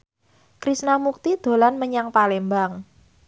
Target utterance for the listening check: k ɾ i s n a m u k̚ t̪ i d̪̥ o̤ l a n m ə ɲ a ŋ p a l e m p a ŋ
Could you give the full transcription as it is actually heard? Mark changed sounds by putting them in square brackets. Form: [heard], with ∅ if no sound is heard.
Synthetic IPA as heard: k ɾ i s n a m u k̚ t̪ i d̪̥ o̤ l a n m ə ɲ a ŋ p a l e m [b] a ŋ